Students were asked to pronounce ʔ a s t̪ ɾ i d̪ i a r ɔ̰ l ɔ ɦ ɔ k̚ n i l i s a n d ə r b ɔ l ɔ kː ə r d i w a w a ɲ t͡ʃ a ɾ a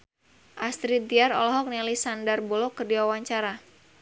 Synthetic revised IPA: ʔ a s t̪ ɾ i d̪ i a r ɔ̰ l ɔ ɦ ɔ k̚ n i l i s a n d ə r b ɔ l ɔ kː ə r d i w a w a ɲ t͡ʃ a ɾ a